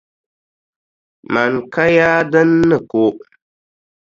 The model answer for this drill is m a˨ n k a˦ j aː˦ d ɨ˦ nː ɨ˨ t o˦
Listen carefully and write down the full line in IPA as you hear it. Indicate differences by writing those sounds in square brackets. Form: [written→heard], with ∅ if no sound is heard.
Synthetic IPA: m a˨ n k a˦ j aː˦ d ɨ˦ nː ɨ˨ [t→k] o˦

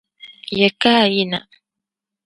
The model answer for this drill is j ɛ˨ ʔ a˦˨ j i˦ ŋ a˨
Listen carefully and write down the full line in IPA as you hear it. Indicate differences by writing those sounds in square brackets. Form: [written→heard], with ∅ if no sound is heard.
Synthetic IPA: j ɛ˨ [ʔ→k] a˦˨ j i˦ [ŋ→n] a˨

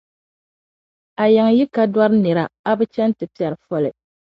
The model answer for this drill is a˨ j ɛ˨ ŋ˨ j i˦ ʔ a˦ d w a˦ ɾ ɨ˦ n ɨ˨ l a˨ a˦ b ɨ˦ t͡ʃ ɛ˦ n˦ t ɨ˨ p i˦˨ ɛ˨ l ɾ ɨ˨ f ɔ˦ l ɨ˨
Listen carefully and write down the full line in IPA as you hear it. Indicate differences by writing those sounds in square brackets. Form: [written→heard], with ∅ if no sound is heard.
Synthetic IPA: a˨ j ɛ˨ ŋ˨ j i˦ [ʔ→k] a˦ d w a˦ ɾ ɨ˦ n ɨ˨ [l→ɾ] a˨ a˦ b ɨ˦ t͡ʃ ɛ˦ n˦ t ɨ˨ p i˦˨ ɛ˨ [l→∅] ɾ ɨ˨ f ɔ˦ l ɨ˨

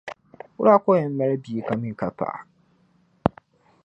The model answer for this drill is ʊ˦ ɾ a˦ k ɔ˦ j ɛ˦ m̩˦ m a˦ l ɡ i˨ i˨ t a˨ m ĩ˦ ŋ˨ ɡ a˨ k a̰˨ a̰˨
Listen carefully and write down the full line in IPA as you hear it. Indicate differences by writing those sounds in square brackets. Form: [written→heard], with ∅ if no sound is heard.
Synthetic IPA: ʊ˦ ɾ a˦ k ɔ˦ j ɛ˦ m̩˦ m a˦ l [ɡ→b] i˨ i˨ [t→k] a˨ m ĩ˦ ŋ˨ [ɡ→k] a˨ [k→p] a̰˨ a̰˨

